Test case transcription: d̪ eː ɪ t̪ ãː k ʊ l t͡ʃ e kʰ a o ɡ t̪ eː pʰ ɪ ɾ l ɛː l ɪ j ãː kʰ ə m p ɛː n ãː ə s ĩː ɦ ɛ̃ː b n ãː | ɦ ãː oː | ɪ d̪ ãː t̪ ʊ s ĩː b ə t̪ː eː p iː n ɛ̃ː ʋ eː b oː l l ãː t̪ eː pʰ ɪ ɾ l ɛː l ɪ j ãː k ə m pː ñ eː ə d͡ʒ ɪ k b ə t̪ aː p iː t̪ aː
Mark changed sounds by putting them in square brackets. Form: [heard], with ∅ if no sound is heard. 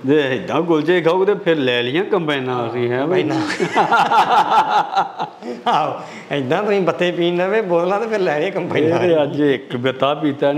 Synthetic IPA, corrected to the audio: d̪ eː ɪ [d̪] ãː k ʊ l t͡ʃ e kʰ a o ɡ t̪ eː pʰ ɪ ɾ l ɛː l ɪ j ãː [k] ə m p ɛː n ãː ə s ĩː ɦ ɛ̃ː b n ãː | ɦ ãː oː | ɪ d̪ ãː t̪ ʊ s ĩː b ə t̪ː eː p iː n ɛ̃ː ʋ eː b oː l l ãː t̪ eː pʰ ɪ ɾ l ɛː l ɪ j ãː k ə m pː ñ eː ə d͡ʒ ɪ k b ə t̪ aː p iː t̪ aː